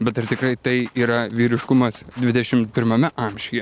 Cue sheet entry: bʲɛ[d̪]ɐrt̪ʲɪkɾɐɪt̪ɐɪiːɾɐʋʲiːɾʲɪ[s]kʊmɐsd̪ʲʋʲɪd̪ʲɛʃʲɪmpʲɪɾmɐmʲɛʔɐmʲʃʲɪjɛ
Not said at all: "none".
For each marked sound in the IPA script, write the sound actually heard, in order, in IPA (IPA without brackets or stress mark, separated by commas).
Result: t̪, ʃ